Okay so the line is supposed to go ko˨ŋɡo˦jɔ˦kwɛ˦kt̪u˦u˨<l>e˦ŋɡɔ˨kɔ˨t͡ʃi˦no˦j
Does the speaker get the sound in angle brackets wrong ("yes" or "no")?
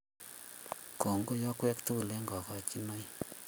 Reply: no